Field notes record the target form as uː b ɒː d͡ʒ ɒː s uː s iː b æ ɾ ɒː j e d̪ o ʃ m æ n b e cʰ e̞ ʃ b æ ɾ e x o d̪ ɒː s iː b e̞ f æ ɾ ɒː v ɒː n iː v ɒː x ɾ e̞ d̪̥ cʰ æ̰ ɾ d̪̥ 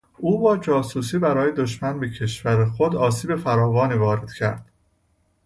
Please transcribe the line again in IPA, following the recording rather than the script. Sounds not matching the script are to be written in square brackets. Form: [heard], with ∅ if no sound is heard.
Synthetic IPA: uː b ɒː d͡ʒ ɒː s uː s iː b æ ɾ ɒː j e d̪ o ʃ m æ n b e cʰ e̞ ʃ [v] æ ɾ e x o d̪ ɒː s iː b e̞ f æ ɾ ɒː v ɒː n iː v ɒː [∅] ɾ e̞ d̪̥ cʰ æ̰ ɾ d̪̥